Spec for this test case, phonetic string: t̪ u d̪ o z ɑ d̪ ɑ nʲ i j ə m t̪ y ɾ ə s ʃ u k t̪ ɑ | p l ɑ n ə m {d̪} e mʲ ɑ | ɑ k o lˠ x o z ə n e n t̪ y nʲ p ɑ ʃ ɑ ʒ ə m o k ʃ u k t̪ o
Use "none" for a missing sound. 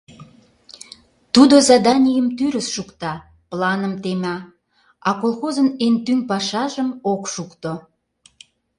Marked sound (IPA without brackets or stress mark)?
t̪